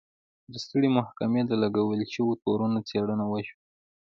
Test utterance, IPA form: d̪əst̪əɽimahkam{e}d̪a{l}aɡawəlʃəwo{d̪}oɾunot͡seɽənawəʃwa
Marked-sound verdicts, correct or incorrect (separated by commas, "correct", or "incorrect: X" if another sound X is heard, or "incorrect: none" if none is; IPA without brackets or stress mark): correct, correct, incorrect: t̪